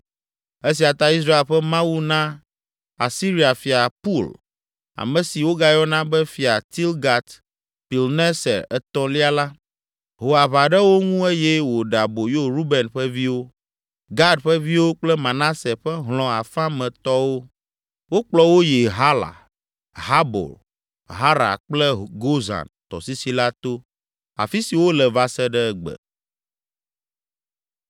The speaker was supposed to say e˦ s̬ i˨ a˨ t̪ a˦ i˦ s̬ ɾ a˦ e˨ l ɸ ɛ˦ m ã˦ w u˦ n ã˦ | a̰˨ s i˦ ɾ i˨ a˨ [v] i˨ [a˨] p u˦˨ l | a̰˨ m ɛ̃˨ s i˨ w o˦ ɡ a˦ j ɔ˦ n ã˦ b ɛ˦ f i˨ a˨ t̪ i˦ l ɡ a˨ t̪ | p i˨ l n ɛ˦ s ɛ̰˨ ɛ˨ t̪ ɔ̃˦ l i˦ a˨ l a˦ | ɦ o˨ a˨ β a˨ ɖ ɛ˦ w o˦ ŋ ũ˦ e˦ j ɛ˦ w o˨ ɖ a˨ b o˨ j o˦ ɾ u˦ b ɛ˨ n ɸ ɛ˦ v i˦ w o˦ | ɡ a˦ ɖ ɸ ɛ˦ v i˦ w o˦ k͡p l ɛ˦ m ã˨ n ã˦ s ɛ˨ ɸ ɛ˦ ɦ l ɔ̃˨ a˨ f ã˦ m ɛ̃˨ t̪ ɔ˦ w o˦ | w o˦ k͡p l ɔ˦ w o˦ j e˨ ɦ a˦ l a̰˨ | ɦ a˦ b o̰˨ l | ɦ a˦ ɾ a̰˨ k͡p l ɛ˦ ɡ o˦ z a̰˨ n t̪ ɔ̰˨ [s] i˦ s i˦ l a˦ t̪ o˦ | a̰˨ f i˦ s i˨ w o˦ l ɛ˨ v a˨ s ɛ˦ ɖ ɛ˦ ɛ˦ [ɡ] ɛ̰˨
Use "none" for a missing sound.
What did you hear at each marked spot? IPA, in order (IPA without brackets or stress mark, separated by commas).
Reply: f, a˨, s, ɡ͡b